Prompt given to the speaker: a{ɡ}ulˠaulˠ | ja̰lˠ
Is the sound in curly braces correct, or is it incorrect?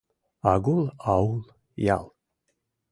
correct